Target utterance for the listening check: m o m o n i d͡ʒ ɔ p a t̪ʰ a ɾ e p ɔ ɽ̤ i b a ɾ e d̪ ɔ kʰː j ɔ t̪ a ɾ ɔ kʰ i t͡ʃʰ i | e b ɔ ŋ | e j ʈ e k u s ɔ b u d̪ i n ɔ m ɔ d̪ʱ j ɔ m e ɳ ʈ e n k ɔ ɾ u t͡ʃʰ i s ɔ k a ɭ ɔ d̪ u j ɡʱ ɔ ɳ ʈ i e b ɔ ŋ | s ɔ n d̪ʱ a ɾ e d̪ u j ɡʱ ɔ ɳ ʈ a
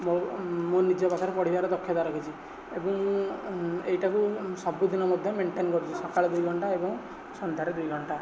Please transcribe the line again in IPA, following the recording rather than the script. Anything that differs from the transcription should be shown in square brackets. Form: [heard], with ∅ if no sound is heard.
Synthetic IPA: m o m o n i d͡ʒ ɔ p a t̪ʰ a ɾ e p ɔ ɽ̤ i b a ɾ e d̪ ɔ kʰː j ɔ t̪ a ɾ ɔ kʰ i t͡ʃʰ i | e b ɔ ŋ | e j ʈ [a] k u s ɔ b u d̪ i n ɔ m ɔ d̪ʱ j ɔ m e ɳ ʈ e n k ɔ ɾ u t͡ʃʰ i s ɔ k a ɭ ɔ d̪ u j ɡʱ ɔ ɳ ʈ [a] e b ɔ ŋ | s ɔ n d̪ʱ a ɾ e d̪ u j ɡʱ ɔ ɳ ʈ a

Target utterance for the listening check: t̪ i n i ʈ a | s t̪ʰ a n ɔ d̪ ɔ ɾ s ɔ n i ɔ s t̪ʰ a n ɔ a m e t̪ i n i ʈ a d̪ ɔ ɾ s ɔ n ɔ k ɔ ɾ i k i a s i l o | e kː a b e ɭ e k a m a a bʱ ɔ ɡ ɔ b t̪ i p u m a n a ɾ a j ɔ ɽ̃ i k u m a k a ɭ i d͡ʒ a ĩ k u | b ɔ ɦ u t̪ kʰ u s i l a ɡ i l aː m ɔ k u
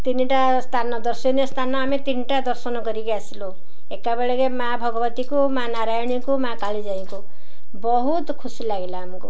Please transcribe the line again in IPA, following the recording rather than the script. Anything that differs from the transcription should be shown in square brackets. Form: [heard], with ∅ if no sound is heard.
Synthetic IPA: t̪ i n i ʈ a | s t̪ʰ a n ɔ d̪ ɔ ɾ s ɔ n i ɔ s t̪ʰ a n ɔ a m e t̪ i n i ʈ a d̪ ɔ ɾ s ɔ n ɔ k ɔ ɾ i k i a s i l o | e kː a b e ɭ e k [e] m a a bʱ ɔ ɡ ɔ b t̪ i [k] u m a n a ɾ a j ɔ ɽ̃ i k u m a k a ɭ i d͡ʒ a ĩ k u | b ɔ ɦ u t̪ kʰ u s i l a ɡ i l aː m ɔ k u

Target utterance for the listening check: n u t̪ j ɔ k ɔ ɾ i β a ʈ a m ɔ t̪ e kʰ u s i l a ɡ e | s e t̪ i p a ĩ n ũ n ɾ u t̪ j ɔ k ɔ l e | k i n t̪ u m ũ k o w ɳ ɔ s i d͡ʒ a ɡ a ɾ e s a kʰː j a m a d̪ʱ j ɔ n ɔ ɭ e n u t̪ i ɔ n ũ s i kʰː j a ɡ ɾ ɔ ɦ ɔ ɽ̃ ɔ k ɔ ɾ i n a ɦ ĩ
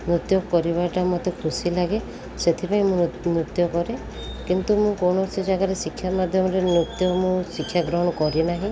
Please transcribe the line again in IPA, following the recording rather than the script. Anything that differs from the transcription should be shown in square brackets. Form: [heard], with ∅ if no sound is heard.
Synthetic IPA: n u t̪ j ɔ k ɔ ɾ i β a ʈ a m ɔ t̪ e kʰ u s i l a ɡ e | s e [t̪ʰ] i p a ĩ [m] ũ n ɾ u t̪ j ɔ k ɔ [ɾ] e | k i n t̪ u m ũ k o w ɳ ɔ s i d͡ʒ a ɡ a ɾ e s [i] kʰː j a m a d̪ʱ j ɔ [m] ɔ [ɾ] e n u t̪ [j] ɔ [m] ũ s i kʰː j a ɡ ɾ ɔ ɦ ɔ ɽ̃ ɔ k ɔ ɾ i n a ɦ ĩ

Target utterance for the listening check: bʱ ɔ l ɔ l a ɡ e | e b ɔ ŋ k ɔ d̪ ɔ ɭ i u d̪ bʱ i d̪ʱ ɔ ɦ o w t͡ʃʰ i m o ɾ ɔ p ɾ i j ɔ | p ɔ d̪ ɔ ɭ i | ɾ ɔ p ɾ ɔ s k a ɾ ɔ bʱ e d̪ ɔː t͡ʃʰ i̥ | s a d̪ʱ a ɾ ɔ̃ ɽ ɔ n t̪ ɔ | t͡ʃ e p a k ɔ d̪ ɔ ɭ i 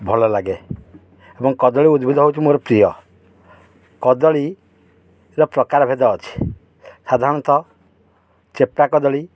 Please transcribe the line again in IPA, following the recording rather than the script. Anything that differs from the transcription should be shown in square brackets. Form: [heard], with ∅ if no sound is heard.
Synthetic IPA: bʱ ɔ l ɔ l a ɡ e | e b ɔ ŋ k ɔ d̪ ɔ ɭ i u d̪ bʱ i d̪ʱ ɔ ɦ o w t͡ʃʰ i m o ɾ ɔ p ɾ i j ɔ | [k] ɔ d̪ ɔ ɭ i | ɾ ɔ p ɾ ɔ [∅] k a ɾ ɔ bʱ e d̪ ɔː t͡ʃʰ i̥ | s a d̪ʱ a ɾ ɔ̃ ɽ ɔ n t̪ ɔ | t͡ʃ e p a k ɔ d̪ ɔ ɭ i

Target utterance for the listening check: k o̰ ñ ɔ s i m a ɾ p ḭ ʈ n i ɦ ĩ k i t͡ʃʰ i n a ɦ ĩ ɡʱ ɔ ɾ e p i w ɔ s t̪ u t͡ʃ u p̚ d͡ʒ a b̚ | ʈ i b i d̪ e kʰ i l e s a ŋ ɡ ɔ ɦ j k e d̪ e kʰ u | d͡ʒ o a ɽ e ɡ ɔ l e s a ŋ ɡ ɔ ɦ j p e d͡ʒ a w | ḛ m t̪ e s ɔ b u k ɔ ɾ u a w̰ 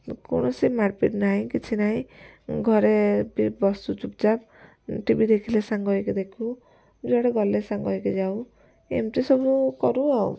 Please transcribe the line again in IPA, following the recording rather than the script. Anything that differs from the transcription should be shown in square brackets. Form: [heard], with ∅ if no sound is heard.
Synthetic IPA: k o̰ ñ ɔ s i m a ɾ p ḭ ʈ n [a] ɦ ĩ k i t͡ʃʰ i n a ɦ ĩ ɡʱ ɔ ɾ e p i [b] ɔ s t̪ u t͡ʃ u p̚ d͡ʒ a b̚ | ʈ i b i d̪ e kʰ i l e s a ŋ ɡ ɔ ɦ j k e d̪ e kʰ u | d͡ʒ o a ɽ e ɡ ɔ l e s a ŋ ɡ ɔ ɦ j [k] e d͡ʒ a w | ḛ m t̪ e s ɔ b u k ɔ ɾ u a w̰

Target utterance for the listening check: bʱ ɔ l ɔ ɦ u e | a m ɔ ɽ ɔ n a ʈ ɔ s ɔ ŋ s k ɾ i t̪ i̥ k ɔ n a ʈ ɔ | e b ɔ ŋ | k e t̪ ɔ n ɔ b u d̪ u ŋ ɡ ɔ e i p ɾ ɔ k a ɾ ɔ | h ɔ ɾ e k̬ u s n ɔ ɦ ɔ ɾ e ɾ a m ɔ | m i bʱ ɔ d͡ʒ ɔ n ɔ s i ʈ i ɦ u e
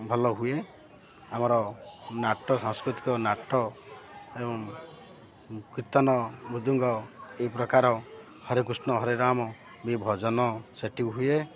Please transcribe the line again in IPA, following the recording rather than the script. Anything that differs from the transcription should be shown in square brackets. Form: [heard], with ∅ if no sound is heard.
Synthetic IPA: bʱ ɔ l ɔ ɦ u e | a m ɔ [ɾ] ɔ n a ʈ ɔ s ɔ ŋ s k ɾ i t̪ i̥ k ɔ n a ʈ ɔ | e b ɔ ŋ | k [i] t̪ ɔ n ɔ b u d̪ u ŋ ɡ ɔ e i p ɾ ɔ k a ɾ ɔ | h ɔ ɾ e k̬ u s n ɔ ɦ ɔ ɾ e ɾ a m ɔ | m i bʱ ɔ d͡ʒ ɔ n ɔ s [e] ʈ i ɦ u e

